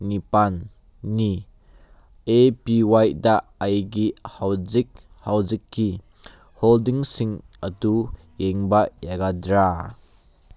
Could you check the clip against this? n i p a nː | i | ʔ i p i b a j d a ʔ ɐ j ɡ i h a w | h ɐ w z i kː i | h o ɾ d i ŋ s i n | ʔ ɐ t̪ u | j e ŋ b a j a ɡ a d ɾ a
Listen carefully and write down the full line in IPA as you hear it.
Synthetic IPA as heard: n i p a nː | i | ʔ e p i w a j d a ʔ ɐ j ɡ i h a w | h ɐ w z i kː i | h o l d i ŋ s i ŋ | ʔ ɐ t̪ u | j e ŋ b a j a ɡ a d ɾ a